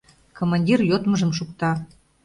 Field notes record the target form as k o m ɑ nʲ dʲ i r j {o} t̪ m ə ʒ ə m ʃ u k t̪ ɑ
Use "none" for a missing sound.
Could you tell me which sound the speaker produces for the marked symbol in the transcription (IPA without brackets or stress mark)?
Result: o